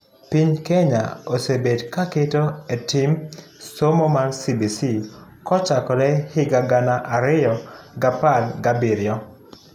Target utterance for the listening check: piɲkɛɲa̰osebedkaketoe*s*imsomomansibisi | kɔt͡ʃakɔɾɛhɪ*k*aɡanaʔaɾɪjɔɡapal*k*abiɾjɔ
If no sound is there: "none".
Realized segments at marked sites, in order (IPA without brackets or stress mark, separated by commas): t, ɡ, ɡ